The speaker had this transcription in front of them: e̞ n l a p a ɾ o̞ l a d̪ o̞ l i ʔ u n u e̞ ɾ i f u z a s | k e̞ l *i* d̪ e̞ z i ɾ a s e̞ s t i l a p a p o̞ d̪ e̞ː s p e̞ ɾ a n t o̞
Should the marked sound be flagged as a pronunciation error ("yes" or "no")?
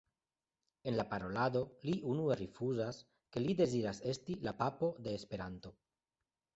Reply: no